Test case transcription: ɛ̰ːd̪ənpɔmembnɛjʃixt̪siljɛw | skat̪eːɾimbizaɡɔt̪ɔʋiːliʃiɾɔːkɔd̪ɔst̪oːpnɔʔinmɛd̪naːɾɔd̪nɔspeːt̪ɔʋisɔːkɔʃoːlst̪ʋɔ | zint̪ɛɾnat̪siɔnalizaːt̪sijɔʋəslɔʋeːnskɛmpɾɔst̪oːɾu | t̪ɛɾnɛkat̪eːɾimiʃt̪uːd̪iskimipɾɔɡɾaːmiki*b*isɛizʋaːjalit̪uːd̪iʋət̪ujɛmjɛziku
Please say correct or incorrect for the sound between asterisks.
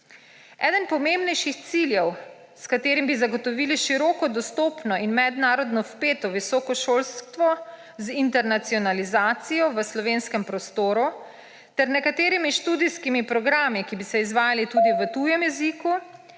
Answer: correct